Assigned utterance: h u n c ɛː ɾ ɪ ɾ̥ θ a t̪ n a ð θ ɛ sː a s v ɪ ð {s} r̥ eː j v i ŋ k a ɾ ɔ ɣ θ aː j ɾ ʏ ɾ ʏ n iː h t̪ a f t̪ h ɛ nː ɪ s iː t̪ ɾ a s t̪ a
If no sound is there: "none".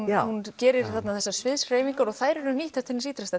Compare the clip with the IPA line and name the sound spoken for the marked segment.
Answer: s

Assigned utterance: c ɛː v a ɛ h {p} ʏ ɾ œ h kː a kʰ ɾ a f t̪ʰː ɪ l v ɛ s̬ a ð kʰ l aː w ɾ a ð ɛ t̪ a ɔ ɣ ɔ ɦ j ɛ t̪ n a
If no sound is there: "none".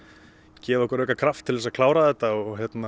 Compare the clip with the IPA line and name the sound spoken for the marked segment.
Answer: k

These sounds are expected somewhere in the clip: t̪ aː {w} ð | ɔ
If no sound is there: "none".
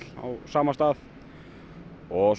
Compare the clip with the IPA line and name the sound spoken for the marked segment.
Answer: none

